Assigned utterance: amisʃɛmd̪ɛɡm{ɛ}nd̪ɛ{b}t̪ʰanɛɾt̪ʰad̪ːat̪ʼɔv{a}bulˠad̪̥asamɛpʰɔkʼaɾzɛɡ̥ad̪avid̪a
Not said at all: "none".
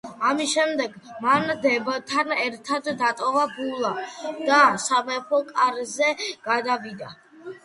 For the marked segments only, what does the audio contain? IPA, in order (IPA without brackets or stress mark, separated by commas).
a, b, a